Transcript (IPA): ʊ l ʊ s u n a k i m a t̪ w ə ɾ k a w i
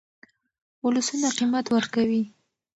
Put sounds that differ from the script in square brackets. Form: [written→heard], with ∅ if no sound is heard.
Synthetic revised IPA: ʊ l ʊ s u n a [k→q] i m a t̪ w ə ɾ k a w i